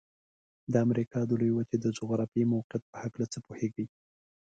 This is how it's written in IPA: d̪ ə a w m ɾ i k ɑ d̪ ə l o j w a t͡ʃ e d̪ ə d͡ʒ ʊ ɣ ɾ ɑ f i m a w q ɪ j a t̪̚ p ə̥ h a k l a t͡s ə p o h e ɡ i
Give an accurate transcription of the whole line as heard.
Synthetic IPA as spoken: d̪ ə a m ɾ i k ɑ d̪ ə l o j w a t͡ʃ e d̪ ə d͡ʒ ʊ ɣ ɾ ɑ f i m a w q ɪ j a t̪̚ p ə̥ h a k l a t͡s ə p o h e ɡ i